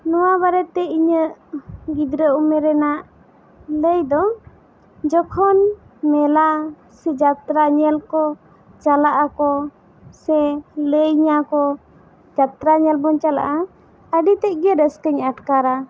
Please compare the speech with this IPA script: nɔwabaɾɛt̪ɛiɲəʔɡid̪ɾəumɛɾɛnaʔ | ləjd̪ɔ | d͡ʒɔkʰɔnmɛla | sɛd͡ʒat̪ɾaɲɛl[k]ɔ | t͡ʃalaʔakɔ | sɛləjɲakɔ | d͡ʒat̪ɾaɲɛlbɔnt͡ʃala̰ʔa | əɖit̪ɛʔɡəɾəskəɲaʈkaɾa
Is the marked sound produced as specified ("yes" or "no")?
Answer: yes